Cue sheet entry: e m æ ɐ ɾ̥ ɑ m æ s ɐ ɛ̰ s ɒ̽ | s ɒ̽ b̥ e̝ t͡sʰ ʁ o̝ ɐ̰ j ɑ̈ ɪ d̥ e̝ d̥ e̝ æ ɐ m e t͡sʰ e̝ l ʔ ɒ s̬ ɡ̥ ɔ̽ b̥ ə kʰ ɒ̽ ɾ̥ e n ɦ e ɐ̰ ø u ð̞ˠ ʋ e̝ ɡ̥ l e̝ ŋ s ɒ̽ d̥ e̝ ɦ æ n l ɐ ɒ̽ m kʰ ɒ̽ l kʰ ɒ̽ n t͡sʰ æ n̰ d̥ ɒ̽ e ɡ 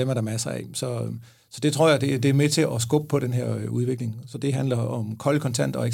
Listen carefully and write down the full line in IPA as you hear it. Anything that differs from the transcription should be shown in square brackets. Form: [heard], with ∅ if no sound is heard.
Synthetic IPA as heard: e m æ ɐ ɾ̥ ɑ m æ s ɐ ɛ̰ s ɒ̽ | s ɒ̽ [d̥] e̝ t͡sʰ ʁ o̝ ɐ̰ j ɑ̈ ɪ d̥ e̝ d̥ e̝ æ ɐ m e t͡sʰ e̝ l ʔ ɒ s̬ ɡ̥ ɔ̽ b̥ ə [pʰ] ɒ̽ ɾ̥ e n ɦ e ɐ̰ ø u ð̞ˠ ʋ e̝ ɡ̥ l e̝ ŋ s ɒ̽ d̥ e̝ ɦ æ n l ɐ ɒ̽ m kʰ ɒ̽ l kʰ ɒ̽ n t͡sʰ æ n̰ d̥ ɒ̽ e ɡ